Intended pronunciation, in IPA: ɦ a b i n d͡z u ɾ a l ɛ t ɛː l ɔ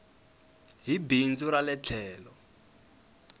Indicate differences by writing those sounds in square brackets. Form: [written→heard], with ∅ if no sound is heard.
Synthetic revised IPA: ɦ [a→i] b i n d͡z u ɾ a l ɛ [t→t͡ɬʰ] ɛː l ɔ